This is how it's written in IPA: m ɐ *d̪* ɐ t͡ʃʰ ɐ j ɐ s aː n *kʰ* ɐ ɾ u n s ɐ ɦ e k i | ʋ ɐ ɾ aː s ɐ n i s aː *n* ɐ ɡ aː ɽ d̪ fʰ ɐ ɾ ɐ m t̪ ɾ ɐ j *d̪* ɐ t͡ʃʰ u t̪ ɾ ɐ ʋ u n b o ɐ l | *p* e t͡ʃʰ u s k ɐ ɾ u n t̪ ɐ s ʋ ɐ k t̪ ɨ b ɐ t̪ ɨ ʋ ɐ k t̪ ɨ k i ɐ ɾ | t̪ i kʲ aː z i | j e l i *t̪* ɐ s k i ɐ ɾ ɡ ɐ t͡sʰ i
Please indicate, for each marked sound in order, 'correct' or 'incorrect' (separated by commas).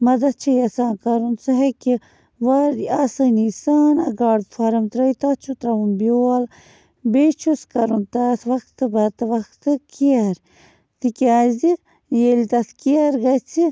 correct, incorrect, correct, incorrect, incorrect, correct